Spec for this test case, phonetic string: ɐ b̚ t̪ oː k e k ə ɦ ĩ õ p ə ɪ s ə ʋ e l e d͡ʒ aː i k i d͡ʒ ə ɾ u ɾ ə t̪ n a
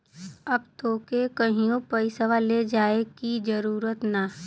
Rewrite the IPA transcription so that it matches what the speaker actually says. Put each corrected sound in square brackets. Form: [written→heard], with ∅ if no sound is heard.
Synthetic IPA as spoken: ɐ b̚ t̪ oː k e k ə ɦ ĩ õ p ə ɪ s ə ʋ [e→a] l e d͡ʒ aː [i→e] k i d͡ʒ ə ɾ [u→uː] ɾ ə t̪ n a